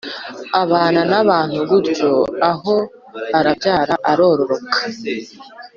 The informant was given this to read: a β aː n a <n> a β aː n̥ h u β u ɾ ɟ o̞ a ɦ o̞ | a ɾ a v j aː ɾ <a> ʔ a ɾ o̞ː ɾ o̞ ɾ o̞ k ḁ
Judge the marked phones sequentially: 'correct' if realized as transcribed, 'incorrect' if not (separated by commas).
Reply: correct, correct